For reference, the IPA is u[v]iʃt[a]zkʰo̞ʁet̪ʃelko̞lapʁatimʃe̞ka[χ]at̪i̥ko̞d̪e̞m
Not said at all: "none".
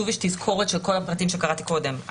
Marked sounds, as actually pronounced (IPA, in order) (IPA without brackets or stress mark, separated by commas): v, i, ʁ